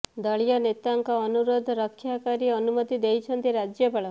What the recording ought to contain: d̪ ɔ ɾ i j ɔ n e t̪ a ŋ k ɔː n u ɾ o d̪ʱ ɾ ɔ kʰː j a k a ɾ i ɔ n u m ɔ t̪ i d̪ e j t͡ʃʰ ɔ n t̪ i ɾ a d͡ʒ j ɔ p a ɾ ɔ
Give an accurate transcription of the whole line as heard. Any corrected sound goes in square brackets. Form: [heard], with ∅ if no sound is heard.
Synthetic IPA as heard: d̪ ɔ [ɭ] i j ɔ n e t̪ a ŋ k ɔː n u ɾ o d̪ʱ ɾ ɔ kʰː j a k a ɾ i ɔ n u m ɔ t̪ i d̪ e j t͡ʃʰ ɔ n t̪ i ɾ a d͡ʒ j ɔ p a [ɭ] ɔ

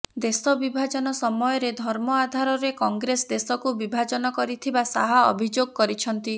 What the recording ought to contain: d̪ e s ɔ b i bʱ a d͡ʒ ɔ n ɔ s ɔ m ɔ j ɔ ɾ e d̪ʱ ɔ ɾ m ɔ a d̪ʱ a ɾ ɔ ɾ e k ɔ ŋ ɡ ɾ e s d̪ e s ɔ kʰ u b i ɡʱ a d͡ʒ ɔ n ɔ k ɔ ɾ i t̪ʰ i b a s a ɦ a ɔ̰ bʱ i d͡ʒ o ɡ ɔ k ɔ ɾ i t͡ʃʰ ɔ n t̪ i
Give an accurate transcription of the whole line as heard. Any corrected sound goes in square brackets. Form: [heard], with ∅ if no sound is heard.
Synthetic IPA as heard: d̪ e s ɔ b i bʱ a d͡ʒ ɔ n ɔ s ɔ m ɔ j ɔ ɾ e d̪ʱ ɔ ɾ m ɔ a d̪ʱ a ɾ ɔ ɾ e k ɔ ŋ ɡ ɾ e s d̪ e s ɔ [k] u b i [bʱ] a d͡ʒ ɔ n ɔ k ɔ ɾ i t̪ʰ i b a s a ɦ a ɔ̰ bʱ i d͡ʒ o ɡ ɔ k ɔ ɾ i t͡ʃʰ ɔ n t̪ i

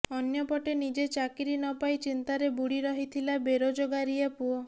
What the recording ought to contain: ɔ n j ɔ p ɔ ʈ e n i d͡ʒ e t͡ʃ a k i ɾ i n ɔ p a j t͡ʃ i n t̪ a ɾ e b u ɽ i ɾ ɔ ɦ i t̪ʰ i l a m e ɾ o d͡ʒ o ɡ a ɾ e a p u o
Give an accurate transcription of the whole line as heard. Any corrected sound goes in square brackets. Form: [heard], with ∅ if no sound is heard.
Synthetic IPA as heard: ɔ n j ɔ p ɔ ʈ e n i d͡ʒ e t͡ʃ a k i ɾ i n ɔ p a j t͡ʃ i n t̪ a ɾ e b u ɽ i ɾ ɔ ɦ i t̪ʰ i l a [b] e ɾ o d͡ʒ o ɡ a ɾ [i] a p u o

